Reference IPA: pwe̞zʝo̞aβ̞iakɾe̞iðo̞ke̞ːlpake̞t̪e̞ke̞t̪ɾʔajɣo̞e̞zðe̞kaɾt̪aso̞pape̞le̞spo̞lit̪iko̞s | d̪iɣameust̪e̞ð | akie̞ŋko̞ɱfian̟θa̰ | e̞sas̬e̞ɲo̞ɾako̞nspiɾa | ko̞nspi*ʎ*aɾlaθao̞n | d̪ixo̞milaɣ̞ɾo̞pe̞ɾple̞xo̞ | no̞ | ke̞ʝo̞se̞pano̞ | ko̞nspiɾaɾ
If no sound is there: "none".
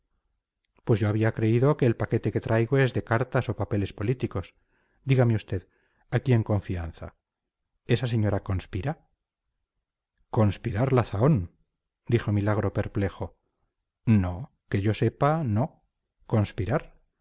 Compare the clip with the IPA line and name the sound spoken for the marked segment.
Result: ɾ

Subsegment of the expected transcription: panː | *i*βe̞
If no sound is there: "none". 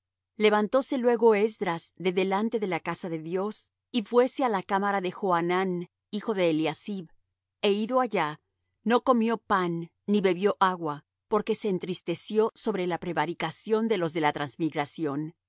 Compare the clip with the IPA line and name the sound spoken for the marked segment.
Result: i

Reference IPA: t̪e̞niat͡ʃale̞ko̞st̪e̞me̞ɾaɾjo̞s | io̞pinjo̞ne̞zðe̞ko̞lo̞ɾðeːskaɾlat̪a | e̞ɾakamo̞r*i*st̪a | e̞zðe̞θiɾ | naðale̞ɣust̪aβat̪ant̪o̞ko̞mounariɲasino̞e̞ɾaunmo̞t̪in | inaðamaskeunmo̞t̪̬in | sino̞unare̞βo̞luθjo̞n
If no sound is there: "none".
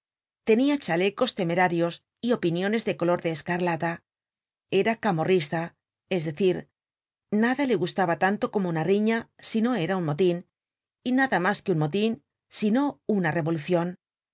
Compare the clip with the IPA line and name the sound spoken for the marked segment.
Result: i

